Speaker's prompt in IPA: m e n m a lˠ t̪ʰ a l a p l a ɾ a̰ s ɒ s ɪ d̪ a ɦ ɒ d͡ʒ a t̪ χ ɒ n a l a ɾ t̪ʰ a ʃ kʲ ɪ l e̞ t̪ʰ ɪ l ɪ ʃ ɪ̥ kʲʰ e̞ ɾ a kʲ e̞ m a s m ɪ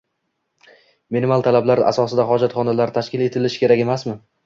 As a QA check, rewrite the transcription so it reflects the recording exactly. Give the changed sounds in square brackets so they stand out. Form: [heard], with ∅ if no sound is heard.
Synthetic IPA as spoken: m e n m a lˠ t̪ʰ a l a [b] l a ɾ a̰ s ɒ s ɪ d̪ a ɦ ɒ d͡ʒ a t̪ χ ɒ n a l a ɾ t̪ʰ a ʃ kʲ ɪ l e̞ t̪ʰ ɪ l ɪ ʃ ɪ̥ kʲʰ e̞ ɾ a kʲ e̞ m a s m ɪ